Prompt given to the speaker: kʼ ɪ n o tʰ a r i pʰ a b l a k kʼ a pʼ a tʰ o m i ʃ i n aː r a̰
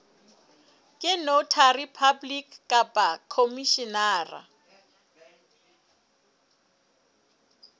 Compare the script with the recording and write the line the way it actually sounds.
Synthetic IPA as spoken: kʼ ɪ n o tʰ a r i pʰ a b l i k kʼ a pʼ a kʰ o m i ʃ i n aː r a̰